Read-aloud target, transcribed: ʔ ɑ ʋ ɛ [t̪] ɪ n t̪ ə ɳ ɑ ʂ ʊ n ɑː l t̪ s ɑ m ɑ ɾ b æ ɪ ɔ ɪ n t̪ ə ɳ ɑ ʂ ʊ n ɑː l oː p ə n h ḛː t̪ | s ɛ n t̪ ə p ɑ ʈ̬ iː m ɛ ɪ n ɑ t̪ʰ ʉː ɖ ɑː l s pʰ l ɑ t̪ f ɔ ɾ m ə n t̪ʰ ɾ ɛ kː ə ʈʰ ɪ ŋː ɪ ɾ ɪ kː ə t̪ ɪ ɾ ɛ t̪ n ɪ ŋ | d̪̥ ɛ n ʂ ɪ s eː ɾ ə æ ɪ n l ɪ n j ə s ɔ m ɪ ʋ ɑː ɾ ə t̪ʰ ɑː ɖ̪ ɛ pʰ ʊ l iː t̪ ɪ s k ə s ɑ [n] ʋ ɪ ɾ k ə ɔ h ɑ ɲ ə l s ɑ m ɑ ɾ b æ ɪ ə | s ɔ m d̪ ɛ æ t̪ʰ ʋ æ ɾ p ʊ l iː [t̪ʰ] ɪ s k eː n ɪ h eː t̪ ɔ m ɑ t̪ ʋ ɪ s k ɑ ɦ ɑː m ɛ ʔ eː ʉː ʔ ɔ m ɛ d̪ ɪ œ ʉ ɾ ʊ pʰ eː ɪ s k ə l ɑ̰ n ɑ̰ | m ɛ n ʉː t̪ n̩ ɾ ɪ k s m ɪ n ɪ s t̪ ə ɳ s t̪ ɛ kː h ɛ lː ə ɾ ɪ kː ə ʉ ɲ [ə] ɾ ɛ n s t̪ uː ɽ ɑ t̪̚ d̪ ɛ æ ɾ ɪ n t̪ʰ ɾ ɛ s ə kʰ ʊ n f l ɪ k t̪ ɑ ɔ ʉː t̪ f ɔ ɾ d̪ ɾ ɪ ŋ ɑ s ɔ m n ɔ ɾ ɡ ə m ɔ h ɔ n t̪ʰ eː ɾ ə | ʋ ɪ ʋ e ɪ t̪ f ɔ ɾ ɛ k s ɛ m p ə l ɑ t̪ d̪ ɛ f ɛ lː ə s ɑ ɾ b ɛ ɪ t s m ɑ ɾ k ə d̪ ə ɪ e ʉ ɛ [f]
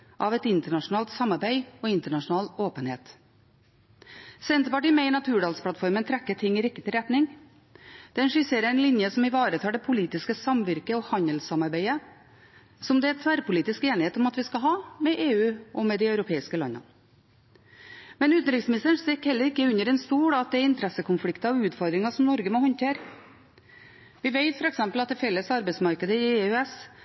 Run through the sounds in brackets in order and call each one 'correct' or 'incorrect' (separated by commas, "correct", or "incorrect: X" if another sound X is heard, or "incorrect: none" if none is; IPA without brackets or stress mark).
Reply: correct, incorrect: m, incorrect: t̪, correct, incorrect: s